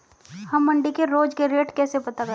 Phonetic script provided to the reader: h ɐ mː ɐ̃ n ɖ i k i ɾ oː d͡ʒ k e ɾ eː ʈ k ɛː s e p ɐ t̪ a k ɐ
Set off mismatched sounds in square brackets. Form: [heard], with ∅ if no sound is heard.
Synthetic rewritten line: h ɐ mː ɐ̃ [ɳ] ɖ i k [e] ɾ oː d͡ʒ k e ɾ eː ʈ k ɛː s e p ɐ t̪ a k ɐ